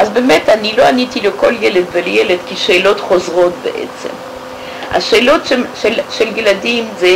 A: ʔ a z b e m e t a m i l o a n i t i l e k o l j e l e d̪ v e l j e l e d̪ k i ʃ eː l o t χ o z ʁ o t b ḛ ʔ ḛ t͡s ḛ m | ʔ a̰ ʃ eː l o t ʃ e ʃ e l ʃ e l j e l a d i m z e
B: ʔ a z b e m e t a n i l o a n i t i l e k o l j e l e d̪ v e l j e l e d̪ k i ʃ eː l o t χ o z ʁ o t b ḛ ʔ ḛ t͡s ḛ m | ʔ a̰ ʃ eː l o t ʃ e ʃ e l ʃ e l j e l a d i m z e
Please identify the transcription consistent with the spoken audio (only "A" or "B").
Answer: B